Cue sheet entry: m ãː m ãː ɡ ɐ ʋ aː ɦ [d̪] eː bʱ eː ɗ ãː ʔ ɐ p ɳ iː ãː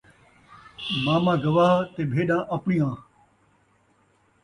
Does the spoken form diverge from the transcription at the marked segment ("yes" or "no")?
yes